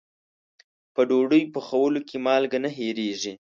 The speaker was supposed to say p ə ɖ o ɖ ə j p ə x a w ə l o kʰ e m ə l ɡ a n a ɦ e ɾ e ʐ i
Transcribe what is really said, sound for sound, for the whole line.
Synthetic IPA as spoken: p ə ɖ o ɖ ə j p ə x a w ə l o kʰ e m ɑ l ɡ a n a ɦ e ɾ e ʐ i